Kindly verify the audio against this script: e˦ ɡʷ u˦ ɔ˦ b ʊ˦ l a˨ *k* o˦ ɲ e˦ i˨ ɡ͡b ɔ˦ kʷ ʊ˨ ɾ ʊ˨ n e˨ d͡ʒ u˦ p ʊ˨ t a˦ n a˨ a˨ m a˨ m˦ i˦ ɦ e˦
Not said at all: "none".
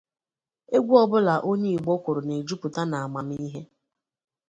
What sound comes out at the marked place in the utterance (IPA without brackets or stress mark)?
ʔ